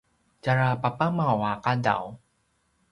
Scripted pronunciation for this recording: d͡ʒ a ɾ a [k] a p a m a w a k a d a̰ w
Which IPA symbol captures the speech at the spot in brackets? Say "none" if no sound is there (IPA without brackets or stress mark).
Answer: p